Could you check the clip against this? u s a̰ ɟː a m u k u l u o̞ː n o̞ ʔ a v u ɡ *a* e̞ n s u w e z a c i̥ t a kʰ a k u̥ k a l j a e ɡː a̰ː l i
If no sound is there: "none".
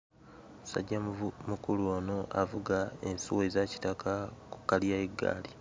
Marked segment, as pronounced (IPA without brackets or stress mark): a